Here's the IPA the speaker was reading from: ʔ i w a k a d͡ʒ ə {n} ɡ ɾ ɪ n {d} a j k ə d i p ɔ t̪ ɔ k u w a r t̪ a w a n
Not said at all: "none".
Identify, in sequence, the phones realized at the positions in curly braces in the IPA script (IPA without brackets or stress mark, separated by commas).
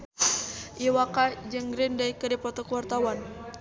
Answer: ŋ, d